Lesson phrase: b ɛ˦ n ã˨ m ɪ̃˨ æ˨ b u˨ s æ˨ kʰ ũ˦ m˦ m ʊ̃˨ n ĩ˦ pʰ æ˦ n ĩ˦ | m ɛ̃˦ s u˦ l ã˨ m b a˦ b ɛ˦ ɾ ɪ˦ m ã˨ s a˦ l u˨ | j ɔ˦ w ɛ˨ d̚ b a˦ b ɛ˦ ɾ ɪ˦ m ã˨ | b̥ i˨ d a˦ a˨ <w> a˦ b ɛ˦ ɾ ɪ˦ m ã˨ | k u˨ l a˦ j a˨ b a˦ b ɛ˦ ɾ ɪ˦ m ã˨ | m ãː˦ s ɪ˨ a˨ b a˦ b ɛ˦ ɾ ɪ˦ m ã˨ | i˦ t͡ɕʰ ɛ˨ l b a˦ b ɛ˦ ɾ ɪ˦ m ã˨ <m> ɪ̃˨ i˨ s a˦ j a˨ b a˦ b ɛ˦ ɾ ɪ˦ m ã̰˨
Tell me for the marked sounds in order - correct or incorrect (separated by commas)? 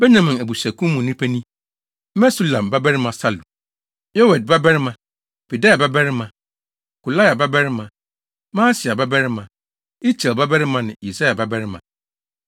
incorrect, incorrect